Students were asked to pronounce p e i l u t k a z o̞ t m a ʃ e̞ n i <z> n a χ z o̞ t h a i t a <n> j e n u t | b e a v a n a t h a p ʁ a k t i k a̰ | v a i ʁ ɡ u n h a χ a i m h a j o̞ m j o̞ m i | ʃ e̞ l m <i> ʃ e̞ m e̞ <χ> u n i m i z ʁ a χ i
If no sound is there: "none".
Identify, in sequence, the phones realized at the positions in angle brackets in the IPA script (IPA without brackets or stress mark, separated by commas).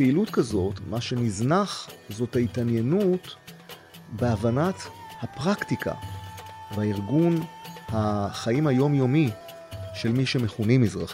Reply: z, n, i, χ